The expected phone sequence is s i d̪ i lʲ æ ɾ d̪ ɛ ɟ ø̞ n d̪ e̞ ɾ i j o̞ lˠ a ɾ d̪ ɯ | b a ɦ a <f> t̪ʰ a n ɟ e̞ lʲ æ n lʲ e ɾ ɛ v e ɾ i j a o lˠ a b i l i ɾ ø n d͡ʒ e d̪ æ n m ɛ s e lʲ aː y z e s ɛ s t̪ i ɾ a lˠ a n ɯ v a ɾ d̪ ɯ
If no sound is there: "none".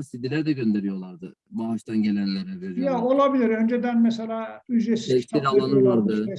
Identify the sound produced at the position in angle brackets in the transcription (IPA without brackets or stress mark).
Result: ʃ